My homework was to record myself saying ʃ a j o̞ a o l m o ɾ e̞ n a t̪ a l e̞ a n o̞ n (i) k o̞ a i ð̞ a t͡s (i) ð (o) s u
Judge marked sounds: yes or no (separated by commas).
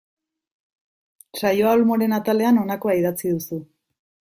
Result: no, yes, no